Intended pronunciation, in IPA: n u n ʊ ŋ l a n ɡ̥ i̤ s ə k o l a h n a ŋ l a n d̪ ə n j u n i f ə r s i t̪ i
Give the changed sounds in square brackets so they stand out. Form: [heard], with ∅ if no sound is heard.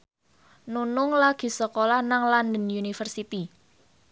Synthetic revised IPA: n u n ʊ ŋ l a [∅] ɡ̥ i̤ s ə k o l a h n a ŋ l a n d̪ ə n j u n i f ə r s i t̪ i